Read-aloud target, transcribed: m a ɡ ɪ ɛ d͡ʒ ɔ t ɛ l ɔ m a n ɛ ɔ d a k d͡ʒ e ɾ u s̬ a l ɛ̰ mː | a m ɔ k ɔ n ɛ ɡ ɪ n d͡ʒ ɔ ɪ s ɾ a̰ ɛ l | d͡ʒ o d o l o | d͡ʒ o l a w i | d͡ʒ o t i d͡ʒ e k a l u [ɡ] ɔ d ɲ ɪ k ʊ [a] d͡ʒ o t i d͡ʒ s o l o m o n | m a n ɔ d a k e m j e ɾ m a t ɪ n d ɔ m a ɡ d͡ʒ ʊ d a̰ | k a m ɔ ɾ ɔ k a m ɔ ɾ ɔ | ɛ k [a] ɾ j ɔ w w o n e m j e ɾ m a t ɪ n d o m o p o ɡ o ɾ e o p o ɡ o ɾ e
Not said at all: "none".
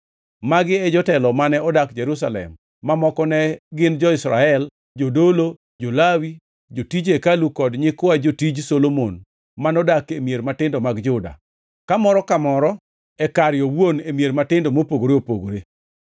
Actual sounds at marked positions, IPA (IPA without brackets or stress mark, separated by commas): k, a, a